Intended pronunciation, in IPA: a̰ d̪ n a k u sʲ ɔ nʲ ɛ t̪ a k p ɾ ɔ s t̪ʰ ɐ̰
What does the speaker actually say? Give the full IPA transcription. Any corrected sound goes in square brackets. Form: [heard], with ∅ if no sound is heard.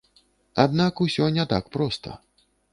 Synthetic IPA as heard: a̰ d̪ n a k u sʲ ɔ nʲ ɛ t̪ a k p ɾ ɔ s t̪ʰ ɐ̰